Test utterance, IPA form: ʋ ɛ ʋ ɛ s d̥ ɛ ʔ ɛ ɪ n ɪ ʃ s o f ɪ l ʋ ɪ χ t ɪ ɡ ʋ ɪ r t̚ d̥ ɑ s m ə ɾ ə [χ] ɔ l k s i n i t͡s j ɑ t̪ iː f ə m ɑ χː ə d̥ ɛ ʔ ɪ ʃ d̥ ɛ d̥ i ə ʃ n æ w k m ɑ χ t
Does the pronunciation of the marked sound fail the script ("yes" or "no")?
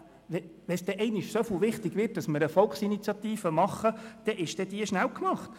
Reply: yes